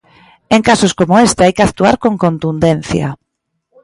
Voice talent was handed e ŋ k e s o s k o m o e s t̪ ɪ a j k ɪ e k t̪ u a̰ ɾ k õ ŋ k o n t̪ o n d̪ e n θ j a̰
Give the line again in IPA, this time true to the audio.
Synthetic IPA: e ŋ k a s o s k o m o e s t̪ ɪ a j k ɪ a k t̪ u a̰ ɾ k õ ŋ k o n t̪ u n d̪ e n θ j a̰